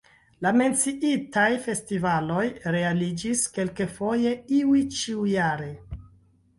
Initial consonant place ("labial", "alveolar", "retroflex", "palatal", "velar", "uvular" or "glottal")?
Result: alveolar